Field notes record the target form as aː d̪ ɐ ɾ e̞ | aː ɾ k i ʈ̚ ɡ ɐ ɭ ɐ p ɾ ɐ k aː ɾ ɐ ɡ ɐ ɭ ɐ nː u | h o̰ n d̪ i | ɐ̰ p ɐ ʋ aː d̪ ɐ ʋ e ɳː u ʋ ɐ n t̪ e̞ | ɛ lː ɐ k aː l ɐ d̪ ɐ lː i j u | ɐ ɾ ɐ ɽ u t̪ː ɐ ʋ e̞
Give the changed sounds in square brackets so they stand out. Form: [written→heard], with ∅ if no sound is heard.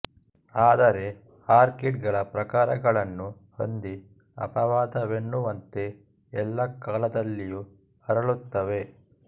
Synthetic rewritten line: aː d̪ ɐ ɾ e̞ | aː ɾ k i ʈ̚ ɡ ɐ ɭ ɐ p ɾ ɐ k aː ɾ ɐ ɡ ɐ ɭ ɐ nː u | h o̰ n d̪ i | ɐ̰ p ɐ ʋ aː d̪ ɐ ʋ e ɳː u ʋ ɐ n t̪ e̞ | ɛ lː ɐ k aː l ɐ d̪ ɐ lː i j u | ɐ ɾ ɐ [ɽ→ɭ] u t̪ː ɐ ʋ e̞